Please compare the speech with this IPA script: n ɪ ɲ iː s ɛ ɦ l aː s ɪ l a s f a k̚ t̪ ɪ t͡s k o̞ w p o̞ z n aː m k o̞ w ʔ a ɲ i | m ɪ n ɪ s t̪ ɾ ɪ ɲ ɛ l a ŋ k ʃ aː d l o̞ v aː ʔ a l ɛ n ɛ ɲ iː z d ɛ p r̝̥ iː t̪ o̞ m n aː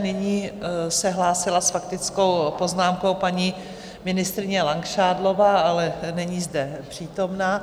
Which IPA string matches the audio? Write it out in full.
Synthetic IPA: n ɪ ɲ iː s ɛ ɦ l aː s ɪ l a s f a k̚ t̪ ɪ t͡s k o̞ w p o̞ z n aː m k o̞ w p a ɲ i | m ɪ n ɪ s t̪ ɾ ɪ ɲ ɛ l a ŋ k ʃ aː d l o̞ v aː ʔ a l ɛ n ɛ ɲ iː z d ɛ p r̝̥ iː t̪ o̞ m n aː